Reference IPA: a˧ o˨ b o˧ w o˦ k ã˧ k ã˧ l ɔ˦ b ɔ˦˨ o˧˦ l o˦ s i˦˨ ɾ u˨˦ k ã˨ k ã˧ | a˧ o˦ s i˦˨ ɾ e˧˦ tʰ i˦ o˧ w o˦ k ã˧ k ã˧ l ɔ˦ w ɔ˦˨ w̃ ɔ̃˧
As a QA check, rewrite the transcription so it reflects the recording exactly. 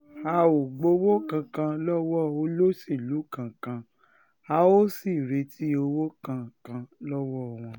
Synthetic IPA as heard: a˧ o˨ ɡ͡b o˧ w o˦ k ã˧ k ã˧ l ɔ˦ w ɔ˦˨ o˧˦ l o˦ s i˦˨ l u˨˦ k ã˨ k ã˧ | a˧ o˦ s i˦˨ ɾ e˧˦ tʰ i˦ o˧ w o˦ k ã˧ k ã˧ l ɔ˦ w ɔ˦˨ w̃ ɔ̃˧